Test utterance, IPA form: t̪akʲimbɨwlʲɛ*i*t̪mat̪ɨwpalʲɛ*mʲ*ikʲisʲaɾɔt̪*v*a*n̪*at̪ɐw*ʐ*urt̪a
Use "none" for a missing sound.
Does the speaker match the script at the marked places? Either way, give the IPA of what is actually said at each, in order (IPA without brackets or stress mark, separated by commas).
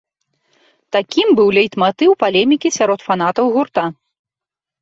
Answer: j, mʲ, f, n̪, ɣ